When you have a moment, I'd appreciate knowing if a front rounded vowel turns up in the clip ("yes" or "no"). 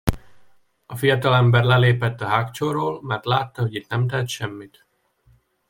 no